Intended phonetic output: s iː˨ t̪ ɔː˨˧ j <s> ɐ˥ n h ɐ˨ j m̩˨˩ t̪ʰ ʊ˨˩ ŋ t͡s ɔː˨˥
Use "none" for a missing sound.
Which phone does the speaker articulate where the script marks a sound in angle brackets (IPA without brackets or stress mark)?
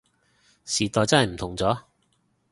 t͡s